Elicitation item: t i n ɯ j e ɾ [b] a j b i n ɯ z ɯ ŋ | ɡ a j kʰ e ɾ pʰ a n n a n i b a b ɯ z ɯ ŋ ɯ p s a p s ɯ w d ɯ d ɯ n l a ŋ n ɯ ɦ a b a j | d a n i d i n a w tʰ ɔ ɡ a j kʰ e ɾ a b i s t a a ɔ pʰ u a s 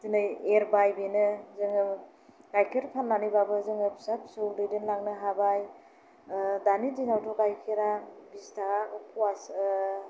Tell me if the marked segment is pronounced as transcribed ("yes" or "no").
yes